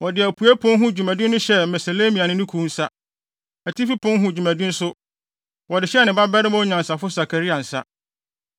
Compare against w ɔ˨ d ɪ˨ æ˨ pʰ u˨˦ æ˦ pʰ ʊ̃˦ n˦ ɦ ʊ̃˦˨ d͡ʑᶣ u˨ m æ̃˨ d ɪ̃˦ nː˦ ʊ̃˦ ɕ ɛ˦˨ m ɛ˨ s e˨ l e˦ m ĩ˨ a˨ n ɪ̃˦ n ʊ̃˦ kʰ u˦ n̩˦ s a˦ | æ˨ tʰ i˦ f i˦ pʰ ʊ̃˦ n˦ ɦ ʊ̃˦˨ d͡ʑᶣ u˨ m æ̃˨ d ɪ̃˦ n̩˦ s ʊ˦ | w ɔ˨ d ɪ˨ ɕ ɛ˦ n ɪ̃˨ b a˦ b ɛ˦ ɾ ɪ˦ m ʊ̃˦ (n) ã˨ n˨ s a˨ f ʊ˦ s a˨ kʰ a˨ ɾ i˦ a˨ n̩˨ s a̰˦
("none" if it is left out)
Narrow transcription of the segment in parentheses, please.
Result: ɲ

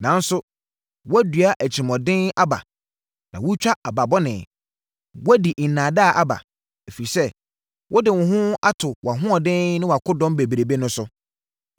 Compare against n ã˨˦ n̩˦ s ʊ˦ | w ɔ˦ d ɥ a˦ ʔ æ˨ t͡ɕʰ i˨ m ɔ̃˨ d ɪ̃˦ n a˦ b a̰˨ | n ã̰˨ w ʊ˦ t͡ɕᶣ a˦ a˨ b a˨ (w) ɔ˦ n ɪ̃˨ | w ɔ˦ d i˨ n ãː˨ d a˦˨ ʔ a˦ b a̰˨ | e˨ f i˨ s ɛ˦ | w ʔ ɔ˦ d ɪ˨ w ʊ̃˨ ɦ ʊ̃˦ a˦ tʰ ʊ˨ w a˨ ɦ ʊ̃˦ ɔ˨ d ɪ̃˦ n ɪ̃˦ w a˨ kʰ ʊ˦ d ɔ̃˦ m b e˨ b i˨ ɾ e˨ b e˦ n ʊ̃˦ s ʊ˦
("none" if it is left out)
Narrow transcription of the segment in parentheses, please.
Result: b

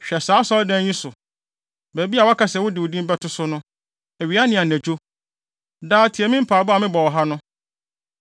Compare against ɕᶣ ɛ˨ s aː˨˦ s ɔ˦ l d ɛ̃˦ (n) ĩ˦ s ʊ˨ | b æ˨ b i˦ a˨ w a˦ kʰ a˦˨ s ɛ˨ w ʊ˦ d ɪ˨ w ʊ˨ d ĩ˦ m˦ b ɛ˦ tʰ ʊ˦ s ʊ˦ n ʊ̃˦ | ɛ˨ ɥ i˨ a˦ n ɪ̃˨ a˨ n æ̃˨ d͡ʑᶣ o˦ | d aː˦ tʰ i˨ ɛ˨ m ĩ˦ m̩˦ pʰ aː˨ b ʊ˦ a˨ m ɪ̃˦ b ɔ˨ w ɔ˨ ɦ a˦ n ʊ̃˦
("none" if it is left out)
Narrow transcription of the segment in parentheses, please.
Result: ɲ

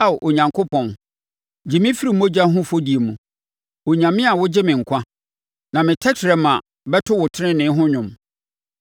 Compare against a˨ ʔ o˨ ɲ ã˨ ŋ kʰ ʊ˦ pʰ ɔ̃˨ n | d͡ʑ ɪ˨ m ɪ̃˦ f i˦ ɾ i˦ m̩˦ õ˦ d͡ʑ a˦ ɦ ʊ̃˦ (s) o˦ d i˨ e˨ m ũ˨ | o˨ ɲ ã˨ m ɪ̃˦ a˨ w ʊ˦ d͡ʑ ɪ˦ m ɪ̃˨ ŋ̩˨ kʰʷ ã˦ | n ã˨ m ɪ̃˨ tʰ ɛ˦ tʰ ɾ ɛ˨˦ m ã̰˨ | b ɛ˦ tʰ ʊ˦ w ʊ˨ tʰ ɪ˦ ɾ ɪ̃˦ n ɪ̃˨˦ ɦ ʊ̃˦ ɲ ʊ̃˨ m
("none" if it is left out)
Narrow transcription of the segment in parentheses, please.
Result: f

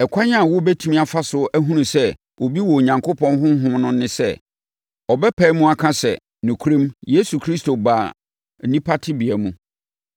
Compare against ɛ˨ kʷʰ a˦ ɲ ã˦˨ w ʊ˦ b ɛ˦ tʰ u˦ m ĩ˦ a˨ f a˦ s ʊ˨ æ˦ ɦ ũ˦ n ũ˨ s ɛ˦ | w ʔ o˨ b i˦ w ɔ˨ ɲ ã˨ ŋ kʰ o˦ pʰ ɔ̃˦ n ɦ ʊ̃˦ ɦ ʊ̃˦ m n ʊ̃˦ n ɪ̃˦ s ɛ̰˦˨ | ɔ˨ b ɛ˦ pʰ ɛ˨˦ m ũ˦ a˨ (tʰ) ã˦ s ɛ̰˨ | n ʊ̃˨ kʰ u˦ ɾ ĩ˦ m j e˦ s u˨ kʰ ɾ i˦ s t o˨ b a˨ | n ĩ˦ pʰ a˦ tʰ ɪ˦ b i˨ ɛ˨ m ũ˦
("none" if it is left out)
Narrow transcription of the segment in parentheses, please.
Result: kʰ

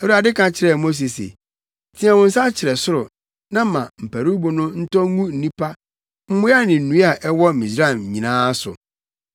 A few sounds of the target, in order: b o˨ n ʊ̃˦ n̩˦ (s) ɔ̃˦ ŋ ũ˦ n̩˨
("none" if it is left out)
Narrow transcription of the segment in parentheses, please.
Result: t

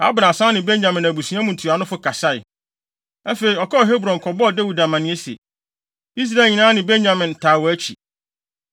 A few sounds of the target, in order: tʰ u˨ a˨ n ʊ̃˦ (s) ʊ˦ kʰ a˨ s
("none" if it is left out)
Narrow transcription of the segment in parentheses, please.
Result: f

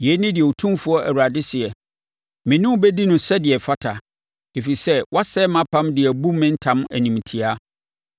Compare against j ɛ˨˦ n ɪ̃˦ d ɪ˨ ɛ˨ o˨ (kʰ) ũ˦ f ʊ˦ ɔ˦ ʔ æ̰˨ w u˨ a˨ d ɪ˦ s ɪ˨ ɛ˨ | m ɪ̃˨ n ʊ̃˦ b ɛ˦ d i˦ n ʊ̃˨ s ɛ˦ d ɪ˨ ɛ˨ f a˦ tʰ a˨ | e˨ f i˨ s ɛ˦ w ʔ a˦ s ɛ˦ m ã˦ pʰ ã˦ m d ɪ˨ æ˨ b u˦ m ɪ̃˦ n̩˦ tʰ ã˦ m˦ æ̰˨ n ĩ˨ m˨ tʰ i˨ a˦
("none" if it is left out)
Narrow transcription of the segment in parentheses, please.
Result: tʰ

